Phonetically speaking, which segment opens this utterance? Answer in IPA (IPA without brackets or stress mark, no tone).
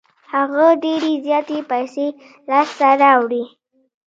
h